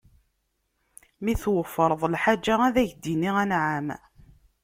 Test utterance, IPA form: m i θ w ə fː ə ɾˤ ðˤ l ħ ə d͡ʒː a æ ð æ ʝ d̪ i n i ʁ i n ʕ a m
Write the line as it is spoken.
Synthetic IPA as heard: m i θ w ə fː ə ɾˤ ðˤ l ħ a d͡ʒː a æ ð æ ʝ d̪ i n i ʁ æ n ʕ a m